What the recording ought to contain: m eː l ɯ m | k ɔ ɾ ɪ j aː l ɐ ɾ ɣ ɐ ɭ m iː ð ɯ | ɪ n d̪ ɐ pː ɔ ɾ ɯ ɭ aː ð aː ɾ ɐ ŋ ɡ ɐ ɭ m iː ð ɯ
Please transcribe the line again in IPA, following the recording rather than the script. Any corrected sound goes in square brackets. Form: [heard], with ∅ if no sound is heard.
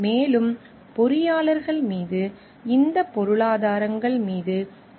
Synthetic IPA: m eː l ɯ m | [p] ɔ ɾ ɪ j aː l ɐ ɾ ɣ ɐ ɭ m iː ð ɯ | ɪ n d̪ ɐ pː ɔ ɾ ɯ ɭ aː ð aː ɾ ɐ ŋ ɡ ɐ ɭ m iː ð ɯ

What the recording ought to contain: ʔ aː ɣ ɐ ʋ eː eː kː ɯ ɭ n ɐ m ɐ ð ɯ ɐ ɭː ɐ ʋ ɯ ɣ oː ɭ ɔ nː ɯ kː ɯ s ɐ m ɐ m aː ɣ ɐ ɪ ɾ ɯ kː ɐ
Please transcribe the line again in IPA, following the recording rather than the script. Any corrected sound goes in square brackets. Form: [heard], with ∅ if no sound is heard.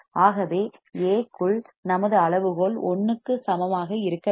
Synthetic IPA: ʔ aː ɣ ɐ ʋ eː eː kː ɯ ɭ n ɐ m ɐ ð ɯ ɐ [ɭ] ɐ ʋ ɯ ɣ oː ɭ ɔ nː ɯ kː ɯ s ɐ m ɐ m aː ɣ ɐ ɪ ɾ ɯ kː ɐ

